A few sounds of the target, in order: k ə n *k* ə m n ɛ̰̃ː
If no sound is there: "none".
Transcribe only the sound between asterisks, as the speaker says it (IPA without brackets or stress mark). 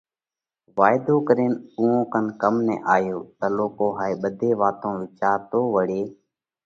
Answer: k